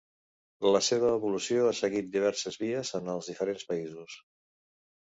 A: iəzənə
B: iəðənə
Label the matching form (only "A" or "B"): A